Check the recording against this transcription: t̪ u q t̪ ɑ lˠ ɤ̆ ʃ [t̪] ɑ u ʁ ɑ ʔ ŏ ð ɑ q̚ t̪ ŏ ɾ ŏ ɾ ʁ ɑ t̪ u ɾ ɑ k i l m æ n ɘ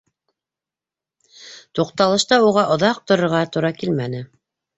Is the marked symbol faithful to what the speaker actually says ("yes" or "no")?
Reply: yes